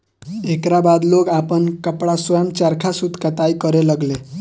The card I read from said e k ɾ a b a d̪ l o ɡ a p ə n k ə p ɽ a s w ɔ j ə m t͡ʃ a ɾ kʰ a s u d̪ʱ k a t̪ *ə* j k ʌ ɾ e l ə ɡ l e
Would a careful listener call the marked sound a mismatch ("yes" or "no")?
yes